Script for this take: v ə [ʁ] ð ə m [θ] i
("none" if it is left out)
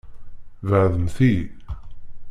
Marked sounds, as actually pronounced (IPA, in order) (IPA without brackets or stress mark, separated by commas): ʕ, θ